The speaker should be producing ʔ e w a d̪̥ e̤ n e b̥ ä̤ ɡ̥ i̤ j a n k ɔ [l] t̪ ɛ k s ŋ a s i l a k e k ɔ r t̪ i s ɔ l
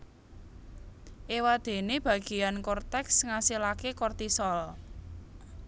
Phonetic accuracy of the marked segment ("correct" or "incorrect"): incorrect